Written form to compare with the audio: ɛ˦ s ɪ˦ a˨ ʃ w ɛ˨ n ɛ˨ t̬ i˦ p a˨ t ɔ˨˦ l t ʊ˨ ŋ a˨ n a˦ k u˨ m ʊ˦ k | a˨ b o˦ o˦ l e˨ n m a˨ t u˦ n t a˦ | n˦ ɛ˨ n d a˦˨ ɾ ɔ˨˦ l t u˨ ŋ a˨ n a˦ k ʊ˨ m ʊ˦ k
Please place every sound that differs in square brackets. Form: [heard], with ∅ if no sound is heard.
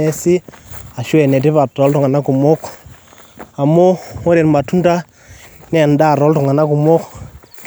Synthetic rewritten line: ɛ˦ s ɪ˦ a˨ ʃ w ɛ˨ n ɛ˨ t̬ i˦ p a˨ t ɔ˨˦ l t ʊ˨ ŋ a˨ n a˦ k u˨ m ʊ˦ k | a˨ [m] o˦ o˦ [ɾ] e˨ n m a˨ t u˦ n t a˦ | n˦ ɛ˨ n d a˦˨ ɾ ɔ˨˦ l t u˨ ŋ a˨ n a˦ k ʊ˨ m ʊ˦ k